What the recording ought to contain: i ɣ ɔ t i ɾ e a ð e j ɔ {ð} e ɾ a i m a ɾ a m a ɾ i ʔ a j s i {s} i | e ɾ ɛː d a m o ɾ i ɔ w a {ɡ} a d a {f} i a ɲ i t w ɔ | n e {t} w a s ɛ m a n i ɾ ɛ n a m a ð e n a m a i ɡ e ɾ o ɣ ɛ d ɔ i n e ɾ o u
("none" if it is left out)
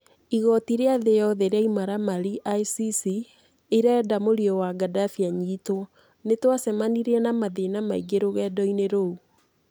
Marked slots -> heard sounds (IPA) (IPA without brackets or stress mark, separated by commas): ð, s, ɡ, f, t